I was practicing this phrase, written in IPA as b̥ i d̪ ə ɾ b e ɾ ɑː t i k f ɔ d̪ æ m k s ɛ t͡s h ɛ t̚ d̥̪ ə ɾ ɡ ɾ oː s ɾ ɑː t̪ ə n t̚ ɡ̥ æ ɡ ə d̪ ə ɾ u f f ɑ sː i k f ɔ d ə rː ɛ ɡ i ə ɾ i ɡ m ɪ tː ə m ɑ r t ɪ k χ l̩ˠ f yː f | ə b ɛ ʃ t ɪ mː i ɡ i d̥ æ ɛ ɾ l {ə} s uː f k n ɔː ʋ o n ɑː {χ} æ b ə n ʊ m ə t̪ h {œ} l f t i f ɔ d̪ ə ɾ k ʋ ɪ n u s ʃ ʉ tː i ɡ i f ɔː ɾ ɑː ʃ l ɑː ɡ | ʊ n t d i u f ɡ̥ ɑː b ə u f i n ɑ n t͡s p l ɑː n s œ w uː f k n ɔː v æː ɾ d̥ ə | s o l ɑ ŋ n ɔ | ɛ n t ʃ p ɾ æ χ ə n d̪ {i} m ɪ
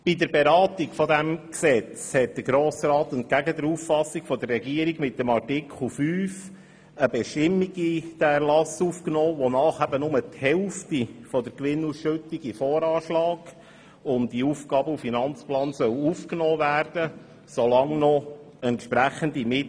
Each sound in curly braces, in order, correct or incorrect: incorrect: ɑ, correct, incorrect: ɛ, correct

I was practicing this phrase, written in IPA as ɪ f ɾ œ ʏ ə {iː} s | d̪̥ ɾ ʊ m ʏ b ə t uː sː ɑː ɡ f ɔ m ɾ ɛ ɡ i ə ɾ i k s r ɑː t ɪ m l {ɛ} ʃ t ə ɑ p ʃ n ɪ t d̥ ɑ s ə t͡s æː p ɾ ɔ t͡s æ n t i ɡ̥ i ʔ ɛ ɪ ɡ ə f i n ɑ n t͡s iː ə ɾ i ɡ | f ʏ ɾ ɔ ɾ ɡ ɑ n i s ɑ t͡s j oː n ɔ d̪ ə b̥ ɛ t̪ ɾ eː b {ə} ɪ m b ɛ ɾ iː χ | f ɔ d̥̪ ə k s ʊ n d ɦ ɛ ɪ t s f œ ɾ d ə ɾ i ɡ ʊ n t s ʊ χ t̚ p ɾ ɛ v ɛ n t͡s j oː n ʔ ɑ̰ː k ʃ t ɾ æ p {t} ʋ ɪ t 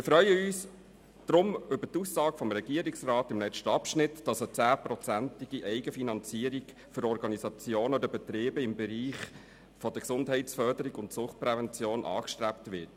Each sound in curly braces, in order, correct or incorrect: incorrect: yː, correct, correct, correct

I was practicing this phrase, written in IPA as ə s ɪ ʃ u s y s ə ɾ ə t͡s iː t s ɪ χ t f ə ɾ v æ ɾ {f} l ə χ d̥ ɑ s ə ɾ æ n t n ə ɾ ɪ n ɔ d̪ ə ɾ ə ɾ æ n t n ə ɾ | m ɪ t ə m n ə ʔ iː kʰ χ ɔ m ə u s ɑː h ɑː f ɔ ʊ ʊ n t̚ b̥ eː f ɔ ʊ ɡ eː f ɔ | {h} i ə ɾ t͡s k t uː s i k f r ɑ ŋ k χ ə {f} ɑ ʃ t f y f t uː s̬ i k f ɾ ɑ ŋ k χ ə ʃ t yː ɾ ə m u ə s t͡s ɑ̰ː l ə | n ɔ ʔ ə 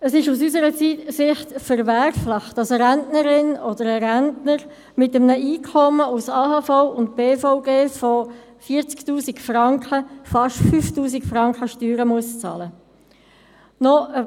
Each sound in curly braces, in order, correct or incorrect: correct, incorrect: f, correct

